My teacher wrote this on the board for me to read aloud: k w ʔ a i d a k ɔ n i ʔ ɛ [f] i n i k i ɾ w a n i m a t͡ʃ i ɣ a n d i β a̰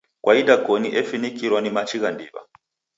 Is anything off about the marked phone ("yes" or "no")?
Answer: no